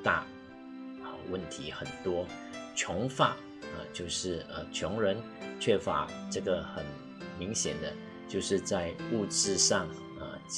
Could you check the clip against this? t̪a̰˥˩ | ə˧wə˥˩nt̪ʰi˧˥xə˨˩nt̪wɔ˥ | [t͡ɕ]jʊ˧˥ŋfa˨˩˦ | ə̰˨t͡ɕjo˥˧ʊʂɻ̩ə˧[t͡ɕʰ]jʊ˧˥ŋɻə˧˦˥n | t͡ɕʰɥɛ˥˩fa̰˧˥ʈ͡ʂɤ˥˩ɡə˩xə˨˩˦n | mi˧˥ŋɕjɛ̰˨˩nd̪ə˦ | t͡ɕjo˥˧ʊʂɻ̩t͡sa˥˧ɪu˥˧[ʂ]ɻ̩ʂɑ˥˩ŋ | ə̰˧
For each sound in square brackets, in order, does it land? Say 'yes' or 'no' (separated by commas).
no, yes, no